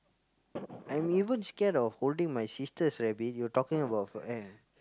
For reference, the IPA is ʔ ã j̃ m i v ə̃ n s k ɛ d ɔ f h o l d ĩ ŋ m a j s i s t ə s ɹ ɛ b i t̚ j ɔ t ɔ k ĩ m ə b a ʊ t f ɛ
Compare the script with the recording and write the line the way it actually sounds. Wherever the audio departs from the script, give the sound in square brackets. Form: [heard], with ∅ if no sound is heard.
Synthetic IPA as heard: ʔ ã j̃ m i v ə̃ n s k ɛ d ɔ f h o l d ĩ ŋ m a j s i s t ə s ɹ ɛ b i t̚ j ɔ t ɔ k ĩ [ŋ] ə b a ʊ t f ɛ

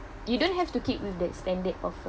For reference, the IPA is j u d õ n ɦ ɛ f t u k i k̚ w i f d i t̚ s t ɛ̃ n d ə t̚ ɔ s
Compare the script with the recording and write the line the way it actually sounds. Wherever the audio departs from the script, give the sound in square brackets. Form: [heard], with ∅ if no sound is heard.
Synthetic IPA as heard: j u d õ n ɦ ɛ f t u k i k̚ w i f d [ɛ] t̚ s t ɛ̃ n d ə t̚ ɔ [f]

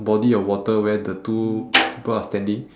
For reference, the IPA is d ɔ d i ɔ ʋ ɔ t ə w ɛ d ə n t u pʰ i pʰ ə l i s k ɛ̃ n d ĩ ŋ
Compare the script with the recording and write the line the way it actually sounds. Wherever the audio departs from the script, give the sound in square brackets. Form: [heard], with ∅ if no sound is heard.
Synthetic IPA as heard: [b] ɔ d i ɔ [w] ɔ t ə w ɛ d ə [∅] t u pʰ i [p] ə l [a] s [t] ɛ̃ n d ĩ ŋ

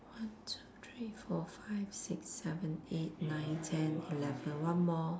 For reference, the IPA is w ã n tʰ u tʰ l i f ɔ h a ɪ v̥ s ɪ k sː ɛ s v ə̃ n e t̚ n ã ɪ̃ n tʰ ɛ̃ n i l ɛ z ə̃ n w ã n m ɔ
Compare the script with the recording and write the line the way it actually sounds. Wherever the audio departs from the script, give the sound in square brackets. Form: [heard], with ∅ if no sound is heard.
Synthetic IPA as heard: w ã n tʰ u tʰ [ɹ] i f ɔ [f] a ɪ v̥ s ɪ k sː ɛ [∅] v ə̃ n e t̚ n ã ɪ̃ n tʰ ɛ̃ n i l ɛ [v] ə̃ n w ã n m ɔ

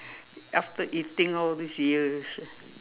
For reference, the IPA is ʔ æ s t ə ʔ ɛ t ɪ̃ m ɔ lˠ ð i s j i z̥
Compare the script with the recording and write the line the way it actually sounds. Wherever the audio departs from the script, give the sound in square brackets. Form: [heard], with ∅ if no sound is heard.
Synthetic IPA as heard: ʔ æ [f] t ə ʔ [i] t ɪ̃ [ŋ] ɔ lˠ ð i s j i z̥

